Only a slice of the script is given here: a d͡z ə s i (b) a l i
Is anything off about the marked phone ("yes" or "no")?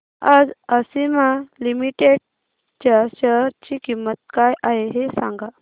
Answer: yes